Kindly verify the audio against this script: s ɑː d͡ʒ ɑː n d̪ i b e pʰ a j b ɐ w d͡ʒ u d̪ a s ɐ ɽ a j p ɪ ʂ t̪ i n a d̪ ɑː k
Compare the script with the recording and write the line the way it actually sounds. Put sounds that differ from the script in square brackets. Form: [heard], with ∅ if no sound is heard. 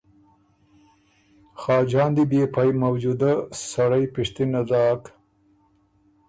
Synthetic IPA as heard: [x] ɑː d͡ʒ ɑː n d̪ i b e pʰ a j [m] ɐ w d͡ʒ u d̪ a s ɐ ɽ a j p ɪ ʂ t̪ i n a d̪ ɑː k

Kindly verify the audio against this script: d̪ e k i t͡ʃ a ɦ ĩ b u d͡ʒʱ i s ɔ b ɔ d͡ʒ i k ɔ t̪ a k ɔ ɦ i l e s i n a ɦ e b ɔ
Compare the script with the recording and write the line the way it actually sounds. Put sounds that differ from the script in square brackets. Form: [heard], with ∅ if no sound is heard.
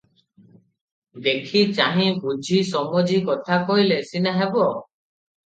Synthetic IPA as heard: d̪ e [kʰ] i t͡ʃ a ɦ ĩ b u d͡ʒʱ i s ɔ [m] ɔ d͡ʒ i k ɔ [t̪ʰ] a k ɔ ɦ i l e s i n a ɦ e b ɔ

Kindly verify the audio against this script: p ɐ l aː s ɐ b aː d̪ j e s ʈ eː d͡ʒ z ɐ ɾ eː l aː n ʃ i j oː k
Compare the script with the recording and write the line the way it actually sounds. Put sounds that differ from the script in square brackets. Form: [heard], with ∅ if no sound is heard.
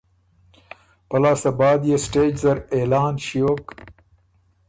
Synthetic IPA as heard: p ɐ l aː s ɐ b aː d̪ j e s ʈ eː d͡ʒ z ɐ ɾ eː l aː n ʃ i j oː k

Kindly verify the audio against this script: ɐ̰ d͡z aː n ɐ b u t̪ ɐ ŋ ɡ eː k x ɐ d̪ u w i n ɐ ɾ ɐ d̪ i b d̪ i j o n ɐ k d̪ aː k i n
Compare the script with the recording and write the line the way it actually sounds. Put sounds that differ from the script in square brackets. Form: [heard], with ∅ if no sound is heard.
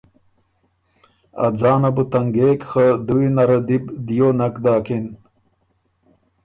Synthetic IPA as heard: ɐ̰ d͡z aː n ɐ b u t̪ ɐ ŋ ɡ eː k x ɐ d̪ u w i n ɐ ɾ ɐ d̪ i b d̪ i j o n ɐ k d̪ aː k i n

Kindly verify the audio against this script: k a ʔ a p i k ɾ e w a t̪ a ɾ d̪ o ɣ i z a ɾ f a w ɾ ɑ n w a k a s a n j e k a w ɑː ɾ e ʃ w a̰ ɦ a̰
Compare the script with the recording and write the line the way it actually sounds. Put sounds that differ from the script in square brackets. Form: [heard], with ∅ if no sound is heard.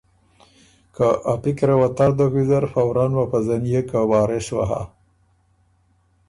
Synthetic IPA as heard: k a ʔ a p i k ɾ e w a t̪ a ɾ d̪ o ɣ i z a ɾ f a w ɾ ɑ n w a [p] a [z] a n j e k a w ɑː ɾ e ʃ w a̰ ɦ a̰

